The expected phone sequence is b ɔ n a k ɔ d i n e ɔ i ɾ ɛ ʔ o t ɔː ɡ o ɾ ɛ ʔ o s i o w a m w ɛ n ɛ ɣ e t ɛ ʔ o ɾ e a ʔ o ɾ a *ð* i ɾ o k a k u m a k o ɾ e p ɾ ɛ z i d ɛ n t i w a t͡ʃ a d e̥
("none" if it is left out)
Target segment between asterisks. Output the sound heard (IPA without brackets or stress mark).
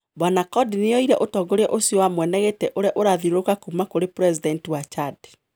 ð